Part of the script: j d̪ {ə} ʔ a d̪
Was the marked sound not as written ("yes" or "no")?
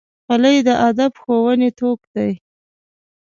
no